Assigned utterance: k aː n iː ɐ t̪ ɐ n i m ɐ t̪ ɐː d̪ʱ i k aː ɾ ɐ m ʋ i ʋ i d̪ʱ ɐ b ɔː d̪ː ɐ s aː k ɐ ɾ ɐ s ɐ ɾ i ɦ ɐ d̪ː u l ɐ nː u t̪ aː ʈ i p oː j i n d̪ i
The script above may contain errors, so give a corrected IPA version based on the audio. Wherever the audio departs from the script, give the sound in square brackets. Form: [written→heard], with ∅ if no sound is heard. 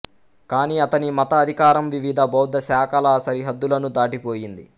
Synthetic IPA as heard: k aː n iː ɐ t̪ ɐ n i m ɐ t̪ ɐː d̪ʱ i k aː ɾ ɐ m ʋ i ʋ i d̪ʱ ɐ b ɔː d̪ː ɐ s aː k ɐ [ɾ→l] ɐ s ɐ ɾ i ɦ ɐ d̪ː u l ɐ [nː→n] u [t̪→d̪] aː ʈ i p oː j i n d̪ i